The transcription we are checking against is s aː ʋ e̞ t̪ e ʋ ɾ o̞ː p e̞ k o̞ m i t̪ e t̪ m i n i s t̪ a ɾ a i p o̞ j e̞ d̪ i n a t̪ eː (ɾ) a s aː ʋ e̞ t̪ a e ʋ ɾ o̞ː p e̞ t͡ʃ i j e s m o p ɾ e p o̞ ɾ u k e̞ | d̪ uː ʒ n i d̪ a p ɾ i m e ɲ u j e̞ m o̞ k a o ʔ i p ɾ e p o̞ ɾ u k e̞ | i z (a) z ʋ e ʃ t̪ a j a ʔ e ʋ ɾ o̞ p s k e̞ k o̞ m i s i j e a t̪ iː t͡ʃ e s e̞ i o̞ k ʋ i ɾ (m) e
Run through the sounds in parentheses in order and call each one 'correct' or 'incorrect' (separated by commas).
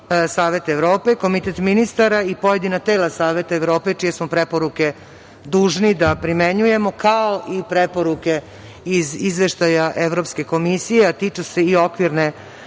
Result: incorrect, incorrect, incorrect